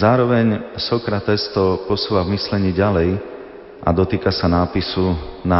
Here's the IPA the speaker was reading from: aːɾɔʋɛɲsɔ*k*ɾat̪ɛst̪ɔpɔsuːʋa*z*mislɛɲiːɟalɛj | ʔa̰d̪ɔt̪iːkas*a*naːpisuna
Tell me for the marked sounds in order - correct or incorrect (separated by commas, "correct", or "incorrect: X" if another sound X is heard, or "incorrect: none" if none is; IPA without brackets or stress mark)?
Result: correct, incorrect: v, correct